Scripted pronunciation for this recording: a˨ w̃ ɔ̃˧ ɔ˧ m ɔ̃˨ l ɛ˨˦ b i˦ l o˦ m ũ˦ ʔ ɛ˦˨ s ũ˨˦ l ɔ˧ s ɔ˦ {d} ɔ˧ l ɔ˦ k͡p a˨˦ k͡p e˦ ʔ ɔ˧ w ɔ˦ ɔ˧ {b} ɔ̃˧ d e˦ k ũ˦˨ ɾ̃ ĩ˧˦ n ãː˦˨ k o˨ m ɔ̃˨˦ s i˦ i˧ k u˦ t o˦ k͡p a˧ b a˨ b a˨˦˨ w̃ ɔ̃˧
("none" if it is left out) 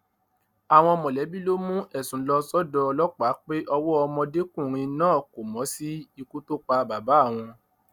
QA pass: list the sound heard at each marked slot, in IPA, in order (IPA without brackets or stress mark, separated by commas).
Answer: d, m